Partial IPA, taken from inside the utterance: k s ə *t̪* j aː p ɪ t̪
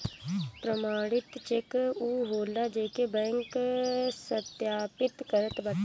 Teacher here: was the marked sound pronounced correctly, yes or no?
yes